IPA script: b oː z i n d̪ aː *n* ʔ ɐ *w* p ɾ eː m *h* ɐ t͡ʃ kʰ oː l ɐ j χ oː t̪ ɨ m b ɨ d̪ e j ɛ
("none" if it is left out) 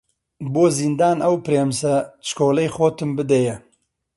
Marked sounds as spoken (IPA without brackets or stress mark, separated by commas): n, w, s